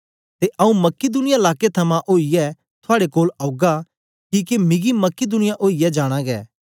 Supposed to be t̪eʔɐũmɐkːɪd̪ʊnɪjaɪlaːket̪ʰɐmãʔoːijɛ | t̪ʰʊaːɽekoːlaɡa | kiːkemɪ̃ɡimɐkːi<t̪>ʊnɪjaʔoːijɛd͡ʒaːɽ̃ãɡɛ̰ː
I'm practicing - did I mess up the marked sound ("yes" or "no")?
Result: yes